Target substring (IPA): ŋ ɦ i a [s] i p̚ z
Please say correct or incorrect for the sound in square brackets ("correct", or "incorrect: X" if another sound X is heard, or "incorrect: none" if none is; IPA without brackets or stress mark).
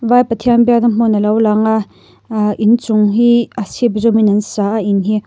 correct